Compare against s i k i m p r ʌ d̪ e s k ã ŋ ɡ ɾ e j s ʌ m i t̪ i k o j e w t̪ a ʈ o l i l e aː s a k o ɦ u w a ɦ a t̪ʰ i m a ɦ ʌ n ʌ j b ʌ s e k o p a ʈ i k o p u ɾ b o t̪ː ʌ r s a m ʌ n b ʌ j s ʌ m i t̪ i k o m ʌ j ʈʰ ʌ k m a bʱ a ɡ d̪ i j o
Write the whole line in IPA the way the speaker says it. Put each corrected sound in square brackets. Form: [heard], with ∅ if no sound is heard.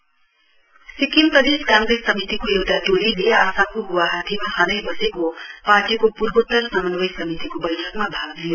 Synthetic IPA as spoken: s i k i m p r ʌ d̪ e s k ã ŋ ɡ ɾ e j s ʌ m i t̪ i k o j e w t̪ a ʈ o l i l e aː s a k o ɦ u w a ɦ a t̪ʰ i m a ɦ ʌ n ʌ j b ʌ s e k o p a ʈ i k o p u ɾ b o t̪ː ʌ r s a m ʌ n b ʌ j s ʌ m i t̪ i k o [b] ʌ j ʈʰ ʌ k m a bʱ a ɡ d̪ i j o